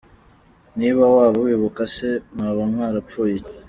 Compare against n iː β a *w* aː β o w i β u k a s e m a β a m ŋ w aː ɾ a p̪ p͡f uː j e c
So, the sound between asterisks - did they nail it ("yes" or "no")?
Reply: yes